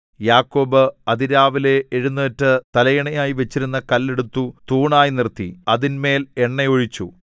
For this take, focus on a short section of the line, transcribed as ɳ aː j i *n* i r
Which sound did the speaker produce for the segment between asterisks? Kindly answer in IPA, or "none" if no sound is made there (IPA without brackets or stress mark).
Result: n